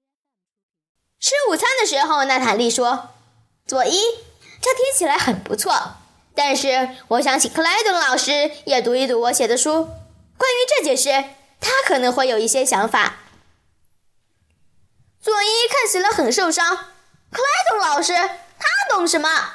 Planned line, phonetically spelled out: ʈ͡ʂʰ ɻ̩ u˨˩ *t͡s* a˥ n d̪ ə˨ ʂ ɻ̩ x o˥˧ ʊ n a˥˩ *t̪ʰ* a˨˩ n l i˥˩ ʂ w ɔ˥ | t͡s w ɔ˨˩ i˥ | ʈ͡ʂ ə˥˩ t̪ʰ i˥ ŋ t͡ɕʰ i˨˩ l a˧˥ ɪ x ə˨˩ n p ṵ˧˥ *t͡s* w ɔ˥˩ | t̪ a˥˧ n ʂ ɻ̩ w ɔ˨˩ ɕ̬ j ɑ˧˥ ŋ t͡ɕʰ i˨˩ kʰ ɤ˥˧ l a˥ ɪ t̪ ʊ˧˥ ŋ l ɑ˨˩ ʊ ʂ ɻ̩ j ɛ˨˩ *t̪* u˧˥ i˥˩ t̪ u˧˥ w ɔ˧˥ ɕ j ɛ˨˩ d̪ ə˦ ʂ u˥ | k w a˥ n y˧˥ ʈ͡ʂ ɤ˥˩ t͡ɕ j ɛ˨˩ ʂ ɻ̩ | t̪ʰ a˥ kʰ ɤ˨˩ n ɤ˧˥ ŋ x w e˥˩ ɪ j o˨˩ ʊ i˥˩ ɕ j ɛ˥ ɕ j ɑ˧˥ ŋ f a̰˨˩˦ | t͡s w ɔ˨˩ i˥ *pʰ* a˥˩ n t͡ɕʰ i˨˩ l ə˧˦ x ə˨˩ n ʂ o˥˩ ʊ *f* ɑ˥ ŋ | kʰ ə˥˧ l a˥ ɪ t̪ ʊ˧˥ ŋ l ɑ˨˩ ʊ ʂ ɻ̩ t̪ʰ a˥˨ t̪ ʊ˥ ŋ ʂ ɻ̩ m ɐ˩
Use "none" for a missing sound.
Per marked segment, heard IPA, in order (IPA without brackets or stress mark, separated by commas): t͡sʰ, t̪ʰ, t͡sʰ, t̪, kʰ, ʂ